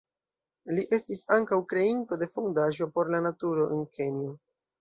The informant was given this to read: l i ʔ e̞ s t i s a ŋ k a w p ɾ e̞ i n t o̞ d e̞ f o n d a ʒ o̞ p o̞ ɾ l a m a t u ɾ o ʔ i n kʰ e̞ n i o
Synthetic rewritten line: l i ʔ e̞ s t i s a ŋ k a w k ɾ e̞ i n t o̞ d e̞ f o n d a ʒ o̞ p o̞ ɾ l a n a t u ɾ o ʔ e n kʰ e̞ n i o